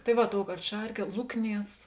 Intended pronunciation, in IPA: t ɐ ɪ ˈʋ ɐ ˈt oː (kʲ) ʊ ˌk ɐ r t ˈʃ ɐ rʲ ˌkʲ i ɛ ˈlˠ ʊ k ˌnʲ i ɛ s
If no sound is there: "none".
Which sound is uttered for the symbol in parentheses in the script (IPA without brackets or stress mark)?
none